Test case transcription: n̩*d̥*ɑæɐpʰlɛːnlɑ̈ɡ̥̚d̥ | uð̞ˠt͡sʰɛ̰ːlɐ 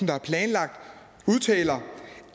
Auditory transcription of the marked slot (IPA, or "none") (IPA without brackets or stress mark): d̥